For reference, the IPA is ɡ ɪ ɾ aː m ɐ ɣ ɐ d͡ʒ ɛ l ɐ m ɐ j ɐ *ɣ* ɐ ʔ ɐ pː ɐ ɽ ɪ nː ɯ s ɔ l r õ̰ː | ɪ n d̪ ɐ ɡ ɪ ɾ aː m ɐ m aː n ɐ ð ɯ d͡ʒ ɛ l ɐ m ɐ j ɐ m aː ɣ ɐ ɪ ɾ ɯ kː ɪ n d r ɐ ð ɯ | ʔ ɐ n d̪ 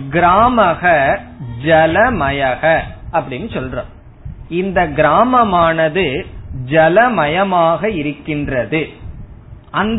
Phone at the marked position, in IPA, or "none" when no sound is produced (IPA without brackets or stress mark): ɣ